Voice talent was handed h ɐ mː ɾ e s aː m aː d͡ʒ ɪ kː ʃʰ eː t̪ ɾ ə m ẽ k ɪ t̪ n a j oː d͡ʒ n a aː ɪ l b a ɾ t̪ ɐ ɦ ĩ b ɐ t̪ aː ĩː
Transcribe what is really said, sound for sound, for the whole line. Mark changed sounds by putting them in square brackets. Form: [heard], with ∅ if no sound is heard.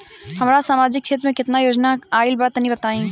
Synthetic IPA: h ɐ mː ɾ [a] s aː m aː d͡ʒ ɪ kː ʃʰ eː t̪ ɾ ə m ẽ k ɪ t̪ n a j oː d͡ʒ n a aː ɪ l b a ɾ t̪ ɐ ɦ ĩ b ɐ t̪ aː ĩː